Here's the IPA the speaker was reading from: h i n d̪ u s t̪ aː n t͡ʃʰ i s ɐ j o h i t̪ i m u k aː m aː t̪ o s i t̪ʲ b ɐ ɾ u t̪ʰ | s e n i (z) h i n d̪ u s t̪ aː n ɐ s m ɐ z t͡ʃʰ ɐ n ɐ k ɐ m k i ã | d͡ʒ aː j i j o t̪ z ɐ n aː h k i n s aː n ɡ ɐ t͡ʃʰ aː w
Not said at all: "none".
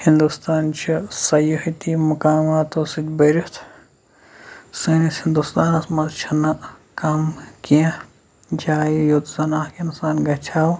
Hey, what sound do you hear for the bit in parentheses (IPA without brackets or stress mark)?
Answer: s